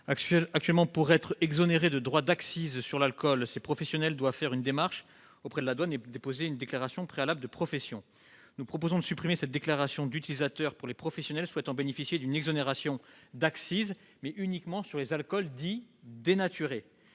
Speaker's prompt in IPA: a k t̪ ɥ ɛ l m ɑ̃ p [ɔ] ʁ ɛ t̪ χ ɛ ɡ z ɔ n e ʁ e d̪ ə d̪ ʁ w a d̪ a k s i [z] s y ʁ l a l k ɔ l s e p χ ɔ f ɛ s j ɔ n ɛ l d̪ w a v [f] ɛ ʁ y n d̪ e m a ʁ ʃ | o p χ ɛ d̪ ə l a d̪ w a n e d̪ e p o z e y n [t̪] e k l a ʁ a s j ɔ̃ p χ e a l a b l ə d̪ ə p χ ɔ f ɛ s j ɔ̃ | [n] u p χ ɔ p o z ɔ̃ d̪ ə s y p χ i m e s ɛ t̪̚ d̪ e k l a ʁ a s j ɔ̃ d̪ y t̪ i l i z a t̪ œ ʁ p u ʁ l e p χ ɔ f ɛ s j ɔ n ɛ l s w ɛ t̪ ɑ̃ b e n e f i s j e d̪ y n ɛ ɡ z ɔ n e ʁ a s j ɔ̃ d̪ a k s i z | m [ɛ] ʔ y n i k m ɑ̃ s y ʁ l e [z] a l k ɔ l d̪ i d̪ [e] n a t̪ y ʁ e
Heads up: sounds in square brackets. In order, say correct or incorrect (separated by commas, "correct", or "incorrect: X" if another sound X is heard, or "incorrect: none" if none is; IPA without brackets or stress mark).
incorrect: u, correct, correct, incorrect: d̪, correct, correct, correct, correct